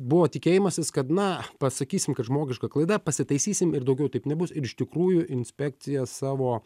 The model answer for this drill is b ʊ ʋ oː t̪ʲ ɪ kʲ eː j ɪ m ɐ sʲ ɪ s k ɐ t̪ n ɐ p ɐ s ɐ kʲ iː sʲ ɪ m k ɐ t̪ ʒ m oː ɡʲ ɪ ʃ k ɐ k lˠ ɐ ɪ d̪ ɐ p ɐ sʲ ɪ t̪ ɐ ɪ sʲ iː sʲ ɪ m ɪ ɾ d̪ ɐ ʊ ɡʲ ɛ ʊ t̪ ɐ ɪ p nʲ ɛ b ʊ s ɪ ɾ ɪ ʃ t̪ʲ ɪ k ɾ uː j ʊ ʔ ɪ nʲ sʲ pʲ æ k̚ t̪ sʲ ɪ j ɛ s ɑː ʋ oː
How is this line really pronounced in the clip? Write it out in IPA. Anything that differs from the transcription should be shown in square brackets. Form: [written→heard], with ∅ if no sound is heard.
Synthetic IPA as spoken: b ʊ ʋ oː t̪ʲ ɪ kʲ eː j ɪ m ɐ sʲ ɪ s k ɐ t̪ n ɐ p ɐ s ɐ kʲ iː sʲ ɪ m k ɐ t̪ ʒ m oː ɡʲ ɪ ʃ k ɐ k lˠ ɐ ɪ d̪ ɐ p ɐ sʲ ɪ t̪ ɐ ɪ sʲ iː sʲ ɪ m ɪ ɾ d̪ ɐ ʊ ɡʲ ɛ ʊ t̪ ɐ ɪ p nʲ ɛ b ʊ s ɪ ɾ ɪ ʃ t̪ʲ ɪ k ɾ uː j ʊ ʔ ɪ nʲ sʲ pʲ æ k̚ t̪ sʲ ɪ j ɛ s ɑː ʋ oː